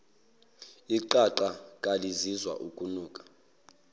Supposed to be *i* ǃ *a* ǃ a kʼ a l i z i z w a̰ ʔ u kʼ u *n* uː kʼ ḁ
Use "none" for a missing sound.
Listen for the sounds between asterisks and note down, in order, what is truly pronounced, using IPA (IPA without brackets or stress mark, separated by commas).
i, a, n